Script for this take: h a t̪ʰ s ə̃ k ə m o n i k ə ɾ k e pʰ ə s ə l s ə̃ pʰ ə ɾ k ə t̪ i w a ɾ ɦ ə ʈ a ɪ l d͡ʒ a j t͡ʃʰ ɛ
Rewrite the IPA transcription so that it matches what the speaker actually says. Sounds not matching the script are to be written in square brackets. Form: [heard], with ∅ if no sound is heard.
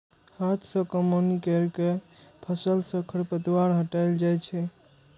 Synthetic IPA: h a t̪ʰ s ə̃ k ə m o n i k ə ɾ k e pʰ ə s ə l s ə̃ [kʰ] ə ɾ [p] ə t̪ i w a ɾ ɦ ə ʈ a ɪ l d͡ʒ a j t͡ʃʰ ɛ